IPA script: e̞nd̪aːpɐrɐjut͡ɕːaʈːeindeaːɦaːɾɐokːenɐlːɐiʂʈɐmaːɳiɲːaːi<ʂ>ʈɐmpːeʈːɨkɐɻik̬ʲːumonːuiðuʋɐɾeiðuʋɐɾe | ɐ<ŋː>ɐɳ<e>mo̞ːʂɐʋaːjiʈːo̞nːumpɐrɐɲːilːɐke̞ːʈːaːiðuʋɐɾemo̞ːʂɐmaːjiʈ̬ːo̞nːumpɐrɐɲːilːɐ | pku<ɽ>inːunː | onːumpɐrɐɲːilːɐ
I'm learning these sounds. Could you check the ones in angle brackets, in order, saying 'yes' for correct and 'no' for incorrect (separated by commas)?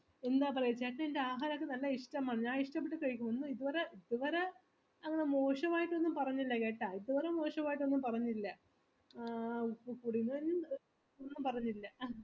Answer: yes, yes, yes, yes